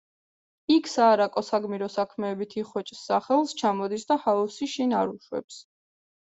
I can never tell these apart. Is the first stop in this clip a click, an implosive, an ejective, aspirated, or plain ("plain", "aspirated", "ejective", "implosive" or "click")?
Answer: aspirated